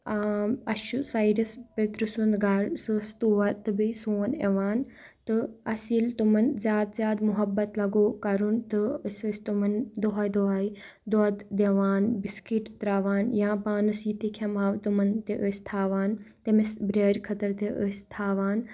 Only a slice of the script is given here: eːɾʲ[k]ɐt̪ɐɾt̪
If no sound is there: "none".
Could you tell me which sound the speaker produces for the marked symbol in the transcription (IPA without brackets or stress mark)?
kʰ